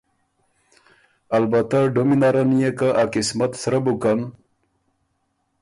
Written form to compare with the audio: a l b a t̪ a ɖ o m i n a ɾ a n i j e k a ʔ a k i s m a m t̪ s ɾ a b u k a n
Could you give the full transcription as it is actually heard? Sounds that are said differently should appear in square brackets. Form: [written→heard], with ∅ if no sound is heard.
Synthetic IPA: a l b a t̪ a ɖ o m i n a ɾ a n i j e k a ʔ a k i s m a [m→∅] t̪ s ɾ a b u k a n